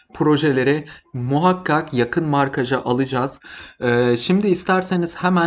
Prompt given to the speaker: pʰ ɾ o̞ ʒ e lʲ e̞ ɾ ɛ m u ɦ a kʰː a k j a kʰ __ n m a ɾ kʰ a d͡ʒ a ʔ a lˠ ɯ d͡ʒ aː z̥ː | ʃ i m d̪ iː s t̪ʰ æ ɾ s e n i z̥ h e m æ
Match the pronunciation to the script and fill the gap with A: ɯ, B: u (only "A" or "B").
A